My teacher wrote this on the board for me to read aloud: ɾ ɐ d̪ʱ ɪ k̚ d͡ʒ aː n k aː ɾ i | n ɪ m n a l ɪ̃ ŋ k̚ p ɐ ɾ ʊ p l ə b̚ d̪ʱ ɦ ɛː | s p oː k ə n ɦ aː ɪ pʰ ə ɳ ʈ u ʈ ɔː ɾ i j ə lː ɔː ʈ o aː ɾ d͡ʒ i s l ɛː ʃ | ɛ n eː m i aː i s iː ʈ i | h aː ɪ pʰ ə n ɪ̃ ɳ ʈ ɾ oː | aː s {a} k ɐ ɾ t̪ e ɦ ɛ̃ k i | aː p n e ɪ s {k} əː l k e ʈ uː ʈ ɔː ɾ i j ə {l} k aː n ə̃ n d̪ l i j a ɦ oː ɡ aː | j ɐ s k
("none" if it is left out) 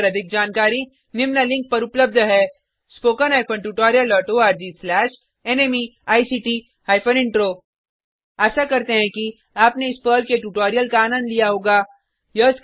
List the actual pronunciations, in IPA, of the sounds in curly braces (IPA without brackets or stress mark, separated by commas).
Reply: a, p, l